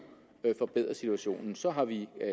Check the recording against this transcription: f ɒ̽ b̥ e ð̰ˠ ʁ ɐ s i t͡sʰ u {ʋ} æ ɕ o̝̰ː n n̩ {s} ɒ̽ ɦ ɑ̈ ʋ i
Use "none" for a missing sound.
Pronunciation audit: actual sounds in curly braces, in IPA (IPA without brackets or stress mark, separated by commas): none, s